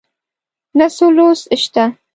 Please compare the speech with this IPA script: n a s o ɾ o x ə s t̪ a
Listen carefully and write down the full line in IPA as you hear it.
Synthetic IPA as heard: n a s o l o s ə ʃ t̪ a